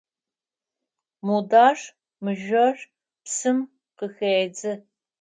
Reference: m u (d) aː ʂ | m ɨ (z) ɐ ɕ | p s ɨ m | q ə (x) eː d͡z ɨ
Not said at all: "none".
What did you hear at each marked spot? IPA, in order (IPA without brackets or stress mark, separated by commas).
d, ʒ, x